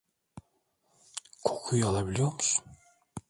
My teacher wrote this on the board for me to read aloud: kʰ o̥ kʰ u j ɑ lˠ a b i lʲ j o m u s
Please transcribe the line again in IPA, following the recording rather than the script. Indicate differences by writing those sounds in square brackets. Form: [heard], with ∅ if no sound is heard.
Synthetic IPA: kʰ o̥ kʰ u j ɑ lˠ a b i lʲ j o m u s